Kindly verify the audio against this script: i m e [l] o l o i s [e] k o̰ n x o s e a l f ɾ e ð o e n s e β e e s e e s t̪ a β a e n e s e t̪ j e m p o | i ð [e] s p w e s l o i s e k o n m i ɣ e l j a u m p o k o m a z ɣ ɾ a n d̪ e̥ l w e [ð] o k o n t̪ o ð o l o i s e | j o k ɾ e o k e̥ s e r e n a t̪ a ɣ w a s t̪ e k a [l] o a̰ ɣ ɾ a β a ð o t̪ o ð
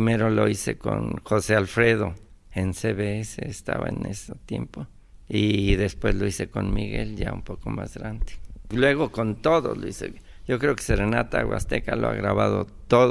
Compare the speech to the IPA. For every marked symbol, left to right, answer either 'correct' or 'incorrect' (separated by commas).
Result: incorrect, correct, correct, incorrect, correct